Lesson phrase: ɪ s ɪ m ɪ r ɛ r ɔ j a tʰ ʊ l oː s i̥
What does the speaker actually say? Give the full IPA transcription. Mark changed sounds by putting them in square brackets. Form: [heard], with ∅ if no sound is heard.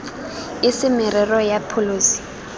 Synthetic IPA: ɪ s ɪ m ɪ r ɛ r ɔ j a [pʰ] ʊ l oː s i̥